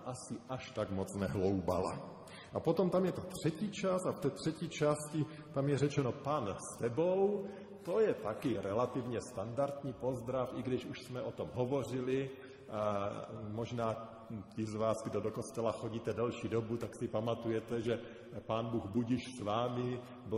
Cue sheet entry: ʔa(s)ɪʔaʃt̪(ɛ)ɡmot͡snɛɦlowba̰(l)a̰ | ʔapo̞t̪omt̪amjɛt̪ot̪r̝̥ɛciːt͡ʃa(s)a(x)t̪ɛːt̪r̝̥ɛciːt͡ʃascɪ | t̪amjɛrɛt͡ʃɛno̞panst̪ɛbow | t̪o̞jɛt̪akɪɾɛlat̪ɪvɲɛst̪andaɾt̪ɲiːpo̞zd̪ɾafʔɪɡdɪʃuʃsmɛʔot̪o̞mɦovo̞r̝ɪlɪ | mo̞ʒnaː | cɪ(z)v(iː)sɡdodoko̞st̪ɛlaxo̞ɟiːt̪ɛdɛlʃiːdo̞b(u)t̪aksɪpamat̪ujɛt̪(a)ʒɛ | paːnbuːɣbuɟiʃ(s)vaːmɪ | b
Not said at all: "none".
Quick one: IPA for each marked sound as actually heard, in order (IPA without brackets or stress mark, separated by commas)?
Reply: s, a, l, s, f, z, aː, u, ɛ, s